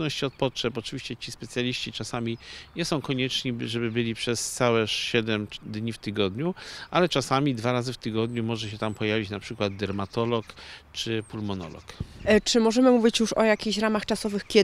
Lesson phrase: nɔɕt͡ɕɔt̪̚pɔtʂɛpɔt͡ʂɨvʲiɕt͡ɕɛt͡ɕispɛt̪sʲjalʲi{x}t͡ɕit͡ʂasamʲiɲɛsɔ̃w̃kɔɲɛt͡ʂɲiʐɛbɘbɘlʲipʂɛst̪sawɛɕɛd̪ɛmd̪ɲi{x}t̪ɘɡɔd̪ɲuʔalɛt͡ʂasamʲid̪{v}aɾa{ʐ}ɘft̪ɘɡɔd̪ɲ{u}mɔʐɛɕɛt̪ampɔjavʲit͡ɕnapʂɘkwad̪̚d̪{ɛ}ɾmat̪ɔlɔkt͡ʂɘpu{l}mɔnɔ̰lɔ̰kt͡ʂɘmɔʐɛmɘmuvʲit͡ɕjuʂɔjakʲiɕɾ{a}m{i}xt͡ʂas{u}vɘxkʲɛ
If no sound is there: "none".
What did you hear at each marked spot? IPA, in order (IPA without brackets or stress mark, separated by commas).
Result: ɕ, f, v, z, u, ɛ, l, a, a, ɔ